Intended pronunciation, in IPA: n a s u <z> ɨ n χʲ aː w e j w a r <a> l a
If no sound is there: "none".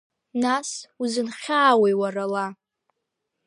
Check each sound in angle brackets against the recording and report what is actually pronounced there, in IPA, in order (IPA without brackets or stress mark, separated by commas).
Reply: z, a